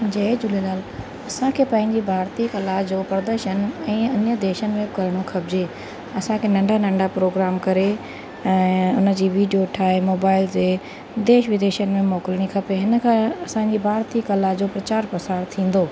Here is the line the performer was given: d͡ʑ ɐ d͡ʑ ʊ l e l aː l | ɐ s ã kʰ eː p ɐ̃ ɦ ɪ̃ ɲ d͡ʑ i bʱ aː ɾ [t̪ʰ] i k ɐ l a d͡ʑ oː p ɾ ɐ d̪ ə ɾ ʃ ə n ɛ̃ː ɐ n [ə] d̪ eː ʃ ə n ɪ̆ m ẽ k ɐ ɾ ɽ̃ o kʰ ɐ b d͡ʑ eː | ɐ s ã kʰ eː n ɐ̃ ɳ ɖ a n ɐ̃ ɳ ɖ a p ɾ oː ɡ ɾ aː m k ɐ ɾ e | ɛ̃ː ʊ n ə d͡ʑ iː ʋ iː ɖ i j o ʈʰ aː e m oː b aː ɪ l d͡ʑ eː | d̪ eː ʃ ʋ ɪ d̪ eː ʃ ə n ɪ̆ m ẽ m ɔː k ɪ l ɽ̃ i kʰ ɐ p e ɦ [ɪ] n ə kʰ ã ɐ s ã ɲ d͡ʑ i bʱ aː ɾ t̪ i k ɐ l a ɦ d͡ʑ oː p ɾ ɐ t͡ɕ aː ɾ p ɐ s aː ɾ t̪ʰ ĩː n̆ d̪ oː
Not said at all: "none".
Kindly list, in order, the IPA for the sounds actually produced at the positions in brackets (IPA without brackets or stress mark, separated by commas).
t̪, ə, ɪ